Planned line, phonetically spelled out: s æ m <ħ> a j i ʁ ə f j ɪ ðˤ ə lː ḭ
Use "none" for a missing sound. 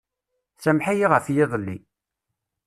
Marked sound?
ħ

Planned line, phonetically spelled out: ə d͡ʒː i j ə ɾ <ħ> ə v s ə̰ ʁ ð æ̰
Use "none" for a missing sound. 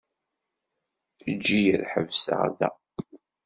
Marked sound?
ħ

